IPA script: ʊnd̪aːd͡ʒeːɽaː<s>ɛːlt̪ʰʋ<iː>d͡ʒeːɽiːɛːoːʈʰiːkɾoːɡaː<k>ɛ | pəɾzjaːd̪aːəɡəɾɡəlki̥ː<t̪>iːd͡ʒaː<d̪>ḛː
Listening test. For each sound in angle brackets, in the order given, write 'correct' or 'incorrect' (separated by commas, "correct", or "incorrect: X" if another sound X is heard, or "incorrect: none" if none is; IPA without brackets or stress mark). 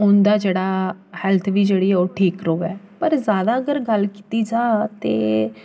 incorrect: h, correct, incorrect: none, correct, incorrect: t̪